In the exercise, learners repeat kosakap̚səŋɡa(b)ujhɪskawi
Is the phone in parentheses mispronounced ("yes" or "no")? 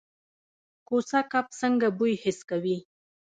no